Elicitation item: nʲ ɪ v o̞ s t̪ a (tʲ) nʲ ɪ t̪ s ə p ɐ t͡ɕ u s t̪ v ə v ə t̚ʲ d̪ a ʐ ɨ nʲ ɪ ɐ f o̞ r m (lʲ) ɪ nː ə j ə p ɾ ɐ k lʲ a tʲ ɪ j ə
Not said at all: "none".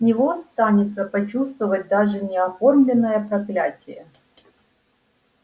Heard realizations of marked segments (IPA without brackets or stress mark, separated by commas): none, lʲ